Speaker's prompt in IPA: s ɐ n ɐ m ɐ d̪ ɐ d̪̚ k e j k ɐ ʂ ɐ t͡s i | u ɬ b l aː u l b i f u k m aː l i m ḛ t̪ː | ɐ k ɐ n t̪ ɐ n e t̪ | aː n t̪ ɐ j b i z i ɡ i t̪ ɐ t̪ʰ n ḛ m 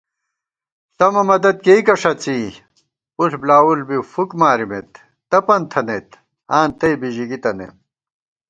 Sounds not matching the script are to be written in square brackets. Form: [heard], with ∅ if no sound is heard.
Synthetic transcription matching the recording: s ɐ [m] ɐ m ɐ d̪ ɐ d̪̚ k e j k ɐ ʂ ɐ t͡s i | u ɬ b l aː u l b i f u k m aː [ɾ] i m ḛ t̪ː | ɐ [p] ɐ n [t̪ʰ] ɐ n e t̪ | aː n t̪ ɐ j b i [ʑ] i ɡ i t̪ ɐ [∅] n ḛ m